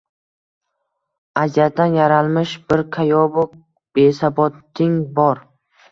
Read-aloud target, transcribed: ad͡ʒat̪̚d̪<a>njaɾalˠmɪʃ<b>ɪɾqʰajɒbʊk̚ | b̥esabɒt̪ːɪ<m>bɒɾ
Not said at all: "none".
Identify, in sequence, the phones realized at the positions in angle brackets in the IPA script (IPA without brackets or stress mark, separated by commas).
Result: a, b, ŋ